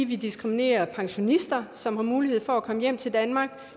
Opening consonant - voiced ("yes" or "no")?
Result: yes